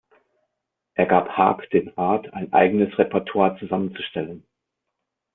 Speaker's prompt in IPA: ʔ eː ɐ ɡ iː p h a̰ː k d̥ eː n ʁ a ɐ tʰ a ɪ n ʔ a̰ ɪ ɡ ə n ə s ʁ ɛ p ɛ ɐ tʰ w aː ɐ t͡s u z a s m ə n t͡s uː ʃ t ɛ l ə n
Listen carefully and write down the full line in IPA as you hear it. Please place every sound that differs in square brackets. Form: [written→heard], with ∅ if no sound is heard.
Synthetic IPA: ʔ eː ɐ ɡ [iː→aː] p h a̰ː k d̥ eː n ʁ a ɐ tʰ a ɪ n ʔ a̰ ɪ ɡ ə n ə s ʁ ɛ p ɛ ɐ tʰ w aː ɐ t͡s u z a [s→∅] m ə n t͡s [uː→u] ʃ t ɛ l ə n

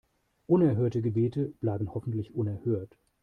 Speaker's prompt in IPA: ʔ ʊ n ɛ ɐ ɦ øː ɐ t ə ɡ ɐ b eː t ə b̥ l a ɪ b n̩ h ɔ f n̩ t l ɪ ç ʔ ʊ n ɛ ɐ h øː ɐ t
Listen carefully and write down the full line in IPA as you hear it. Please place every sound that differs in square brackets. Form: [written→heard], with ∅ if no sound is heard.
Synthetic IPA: ʔ ʊ n ɛ ɐ ɦ øː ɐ t ə ɡ [ɐ→ə] b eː t ə b̥ l a ɪ b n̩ h ɔ f n̩ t l ɪ ç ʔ ʊ n ɛ ɐ h øː ɐ t

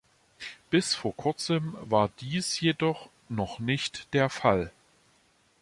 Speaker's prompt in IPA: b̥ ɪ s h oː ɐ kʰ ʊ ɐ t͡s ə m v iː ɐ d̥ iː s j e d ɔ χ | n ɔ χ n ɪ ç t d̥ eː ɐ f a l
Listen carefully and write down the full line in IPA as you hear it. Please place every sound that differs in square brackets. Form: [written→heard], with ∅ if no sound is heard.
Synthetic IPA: b̥ ɪ s [h→f] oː ɐ kʰ ʊ ɐ t͡s ə m v [iː→aː] ɐ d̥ iː s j e d ɔ χ | n ɔ χ n ɪ ç t d̥ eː ɐ f a l

